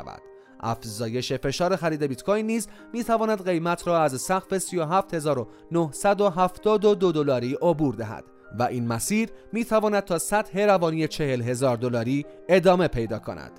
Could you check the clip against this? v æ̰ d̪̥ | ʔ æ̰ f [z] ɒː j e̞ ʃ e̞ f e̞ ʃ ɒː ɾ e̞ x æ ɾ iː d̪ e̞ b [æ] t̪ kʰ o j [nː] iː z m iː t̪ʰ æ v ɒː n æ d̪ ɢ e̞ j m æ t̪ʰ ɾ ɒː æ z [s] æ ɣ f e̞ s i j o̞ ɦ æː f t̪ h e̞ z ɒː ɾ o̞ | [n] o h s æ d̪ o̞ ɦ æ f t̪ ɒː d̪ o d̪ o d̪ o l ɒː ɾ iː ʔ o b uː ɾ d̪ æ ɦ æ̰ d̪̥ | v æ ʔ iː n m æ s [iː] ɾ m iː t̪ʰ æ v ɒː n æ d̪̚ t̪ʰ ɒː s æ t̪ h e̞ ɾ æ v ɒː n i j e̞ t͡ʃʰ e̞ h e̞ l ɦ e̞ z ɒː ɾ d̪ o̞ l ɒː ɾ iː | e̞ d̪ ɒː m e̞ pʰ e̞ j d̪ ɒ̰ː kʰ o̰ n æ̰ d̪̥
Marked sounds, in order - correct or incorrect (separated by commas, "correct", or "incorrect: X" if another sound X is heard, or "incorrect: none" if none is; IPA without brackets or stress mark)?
correct, incorrect: i, correct, correct, correct, correct